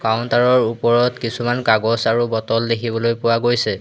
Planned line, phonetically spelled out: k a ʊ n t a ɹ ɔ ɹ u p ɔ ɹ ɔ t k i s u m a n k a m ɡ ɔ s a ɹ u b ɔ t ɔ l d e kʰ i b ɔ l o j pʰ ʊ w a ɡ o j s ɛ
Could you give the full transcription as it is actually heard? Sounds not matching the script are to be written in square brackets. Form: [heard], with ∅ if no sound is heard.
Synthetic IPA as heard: k a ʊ n t a ɹ ɔ ɹ u p ɔ ɹ ɔ t k i s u m a n k a [∅] ɡ ɔ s a ɹ u b ɔ t ɔ l d e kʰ i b ɔ l o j [p] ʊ w a ɡ o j s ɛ